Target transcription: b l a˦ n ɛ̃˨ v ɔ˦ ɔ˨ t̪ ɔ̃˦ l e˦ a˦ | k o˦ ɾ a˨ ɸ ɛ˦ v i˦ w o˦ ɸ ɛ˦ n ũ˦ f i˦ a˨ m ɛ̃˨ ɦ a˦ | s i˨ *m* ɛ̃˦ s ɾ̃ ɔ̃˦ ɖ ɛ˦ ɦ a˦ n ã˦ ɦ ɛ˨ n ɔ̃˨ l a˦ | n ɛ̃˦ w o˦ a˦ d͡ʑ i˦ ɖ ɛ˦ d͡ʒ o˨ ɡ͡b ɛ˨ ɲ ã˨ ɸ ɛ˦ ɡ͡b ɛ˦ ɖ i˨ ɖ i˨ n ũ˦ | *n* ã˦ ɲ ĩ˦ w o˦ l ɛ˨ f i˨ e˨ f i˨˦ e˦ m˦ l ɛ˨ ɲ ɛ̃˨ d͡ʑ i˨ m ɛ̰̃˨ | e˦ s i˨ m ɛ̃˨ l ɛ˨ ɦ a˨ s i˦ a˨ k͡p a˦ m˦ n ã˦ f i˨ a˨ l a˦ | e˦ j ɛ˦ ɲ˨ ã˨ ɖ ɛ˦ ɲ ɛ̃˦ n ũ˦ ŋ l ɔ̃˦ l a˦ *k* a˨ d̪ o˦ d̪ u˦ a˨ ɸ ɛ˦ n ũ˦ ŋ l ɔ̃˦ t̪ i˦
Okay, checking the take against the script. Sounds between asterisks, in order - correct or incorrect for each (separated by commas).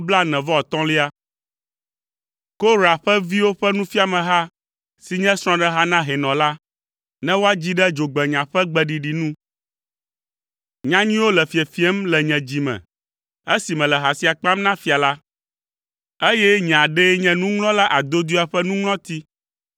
incorrect, incorrect, incorrect